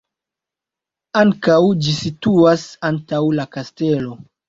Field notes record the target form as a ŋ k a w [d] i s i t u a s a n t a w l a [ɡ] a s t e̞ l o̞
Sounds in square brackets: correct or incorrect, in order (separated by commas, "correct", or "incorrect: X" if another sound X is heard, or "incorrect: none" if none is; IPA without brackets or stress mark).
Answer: incorrect: d͡ʒ, incorrect: k